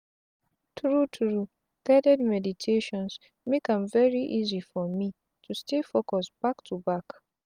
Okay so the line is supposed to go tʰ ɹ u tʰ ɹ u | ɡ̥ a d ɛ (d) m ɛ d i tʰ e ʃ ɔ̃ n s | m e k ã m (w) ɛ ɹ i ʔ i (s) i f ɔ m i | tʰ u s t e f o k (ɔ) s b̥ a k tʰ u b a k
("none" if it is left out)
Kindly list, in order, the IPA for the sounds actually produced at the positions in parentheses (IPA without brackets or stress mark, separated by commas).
d, v, z, ɔ